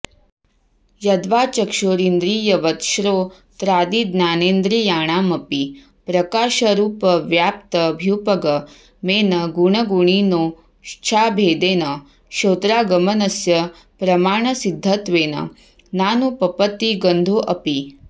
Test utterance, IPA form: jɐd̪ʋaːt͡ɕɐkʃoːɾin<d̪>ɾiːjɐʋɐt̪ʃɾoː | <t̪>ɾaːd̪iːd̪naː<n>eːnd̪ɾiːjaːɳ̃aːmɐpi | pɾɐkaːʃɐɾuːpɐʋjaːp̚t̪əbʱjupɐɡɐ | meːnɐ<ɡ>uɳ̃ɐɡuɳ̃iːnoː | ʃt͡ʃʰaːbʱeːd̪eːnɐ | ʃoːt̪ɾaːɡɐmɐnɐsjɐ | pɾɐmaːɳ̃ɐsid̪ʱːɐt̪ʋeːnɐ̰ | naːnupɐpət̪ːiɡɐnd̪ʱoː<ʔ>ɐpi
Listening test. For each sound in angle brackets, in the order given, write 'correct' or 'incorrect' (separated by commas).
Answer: correct, correct, correct, correct, correct